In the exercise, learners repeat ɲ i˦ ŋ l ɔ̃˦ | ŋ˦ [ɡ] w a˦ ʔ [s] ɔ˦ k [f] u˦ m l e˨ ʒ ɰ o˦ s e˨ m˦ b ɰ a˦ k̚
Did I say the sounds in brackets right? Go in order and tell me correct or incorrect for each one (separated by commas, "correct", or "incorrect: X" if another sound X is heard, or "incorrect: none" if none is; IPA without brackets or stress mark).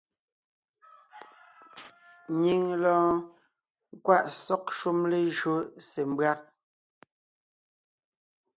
incorrect: k, correct, incorrect: ʃ